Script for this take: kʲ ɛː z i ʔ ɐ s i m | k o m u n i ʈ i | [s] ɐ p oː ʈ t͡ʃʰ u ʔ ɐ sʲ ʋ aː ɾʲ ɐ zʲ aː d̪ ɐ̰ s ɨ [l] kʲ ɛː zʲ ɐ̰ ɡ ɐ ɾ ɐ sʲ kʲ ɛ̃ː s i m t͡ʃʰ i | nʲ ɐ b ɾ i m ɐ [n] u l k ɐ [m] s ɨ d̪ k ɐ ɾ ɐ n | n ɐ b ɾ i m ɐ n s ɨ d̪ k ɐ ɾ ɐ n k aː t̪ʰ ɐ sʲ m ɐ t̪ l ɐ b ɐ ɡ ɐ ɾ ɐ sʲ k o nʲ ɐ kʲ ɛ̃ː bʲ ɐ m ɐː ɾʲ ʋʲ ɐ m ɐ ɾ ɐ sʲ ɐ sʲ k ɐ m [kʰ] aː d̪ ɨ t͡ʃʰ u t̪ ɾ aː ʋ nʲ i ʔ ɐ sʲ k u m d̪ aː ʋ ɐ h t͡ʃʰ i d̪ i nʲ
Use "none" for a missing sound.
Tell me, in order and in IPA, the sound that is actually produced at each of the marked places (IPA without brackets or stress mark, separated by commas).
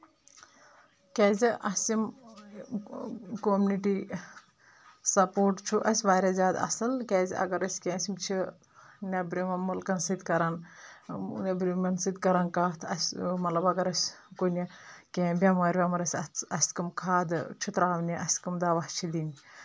s, l, m, n, kʰ